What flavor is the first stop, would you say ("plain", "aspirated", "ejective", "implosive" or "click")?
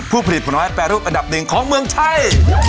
aspirated